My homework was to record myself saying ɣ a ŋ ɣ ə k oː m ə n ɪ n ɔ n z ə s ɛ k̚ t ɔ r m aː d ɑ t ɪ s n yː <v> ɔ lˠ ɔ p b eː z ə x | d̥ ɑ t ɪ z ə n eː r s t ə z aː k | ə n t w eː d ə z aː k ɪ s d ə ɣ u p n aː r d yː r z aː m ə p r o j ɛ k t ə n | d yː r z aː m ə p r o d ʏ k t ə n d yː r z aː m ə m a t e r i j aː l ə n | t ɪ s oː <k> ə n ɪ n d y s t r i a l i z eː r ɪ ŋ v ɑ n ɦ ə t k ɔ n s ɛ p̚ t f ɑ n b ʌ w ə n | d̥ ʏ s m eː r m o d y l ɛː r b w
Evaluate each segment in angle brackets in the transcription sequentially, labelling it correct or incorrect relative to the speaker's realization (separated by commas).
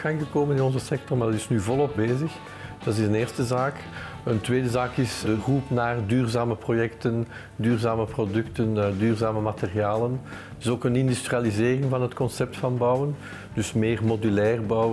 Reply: correct, correct